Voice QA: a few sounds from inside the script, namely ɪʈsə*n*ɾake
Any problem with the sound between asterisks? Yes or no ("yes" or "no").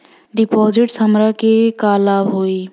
yes